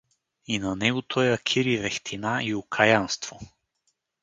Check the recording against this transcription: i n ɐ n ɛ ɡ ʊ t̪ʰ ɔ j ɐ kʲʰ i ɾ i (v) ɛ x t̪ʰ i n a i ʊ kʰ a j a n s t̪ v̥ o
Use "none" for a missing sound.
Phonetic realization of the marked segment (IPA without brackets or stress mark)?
v